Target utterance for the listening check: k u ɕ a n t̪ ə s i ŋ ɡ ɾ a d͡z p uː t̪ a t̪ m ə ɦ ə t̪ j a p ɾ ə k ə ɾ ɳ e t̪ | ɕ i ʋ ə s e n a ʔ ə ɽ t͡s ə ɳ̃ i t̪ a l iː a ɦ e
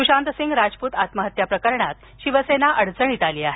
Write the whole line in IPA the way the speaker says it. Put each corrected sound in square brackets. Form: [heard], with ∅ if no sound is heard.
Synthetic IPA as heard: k u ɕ a n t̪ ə s i ŋ ɡ ɾ a d͡z p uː t̪ a t̪ m ə ɦ ə t̪ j a p ɾ ə k ə ɾ ɳ [a] t̪ | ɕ i ʋ ə s e n a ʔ ə ɽ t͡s ə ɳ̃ i t̪ a l iː a ɦ e